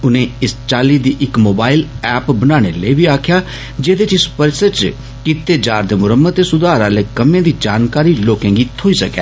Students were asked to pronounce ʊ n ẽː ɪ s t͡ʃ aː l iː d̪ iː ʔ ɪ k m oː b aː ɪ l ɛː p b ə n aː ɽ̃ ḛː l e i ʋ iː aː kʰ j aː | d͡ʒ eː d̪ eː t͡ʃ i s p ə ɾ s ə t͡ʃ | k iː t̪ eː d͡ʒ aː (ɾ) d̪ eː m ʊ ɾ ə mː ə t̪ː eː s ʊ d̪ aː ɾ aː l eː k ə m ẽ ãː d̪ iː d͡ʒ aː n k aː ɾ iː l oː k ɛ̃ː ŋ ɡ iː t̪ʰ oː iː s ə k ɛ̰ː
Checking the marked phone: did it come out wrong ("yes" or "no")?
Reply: no